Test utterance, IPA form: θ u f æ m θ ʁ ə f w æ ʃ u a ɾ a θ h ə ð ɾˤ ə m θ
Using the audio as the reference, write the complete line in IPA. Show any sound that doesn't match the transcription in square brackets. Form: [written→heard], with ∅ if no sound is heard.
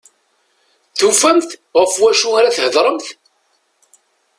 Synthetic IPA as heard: θ u f æ m θ ʁ ə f w æ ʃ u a ɾ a θ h ə ð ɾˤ ə m θ